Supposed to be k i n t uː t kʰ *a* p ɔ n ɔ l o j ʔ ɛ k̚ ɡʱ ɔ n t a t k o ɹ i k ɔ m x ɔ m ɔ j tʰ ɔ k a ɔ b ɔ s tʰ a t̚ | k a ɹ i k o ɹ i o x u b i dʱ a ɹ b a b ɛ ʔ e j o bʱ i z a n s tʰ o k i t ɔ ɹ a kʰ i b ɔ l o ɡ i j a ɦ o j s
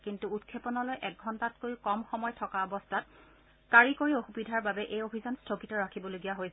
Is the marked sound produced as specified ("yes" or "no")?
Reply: no